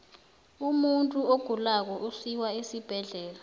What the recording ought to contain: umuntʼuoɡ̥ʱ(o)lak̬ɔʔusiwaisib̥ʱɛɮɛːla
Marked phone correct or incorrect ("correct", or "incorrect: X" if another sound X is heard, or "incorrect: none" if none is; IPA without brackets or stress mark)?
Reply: incorrect: u